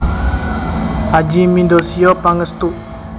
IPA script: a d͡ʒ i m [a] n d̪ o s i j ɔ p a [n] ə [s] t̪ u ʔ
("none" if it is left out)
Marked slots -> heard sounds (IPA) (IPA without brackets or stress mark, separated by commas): i, ŋ, s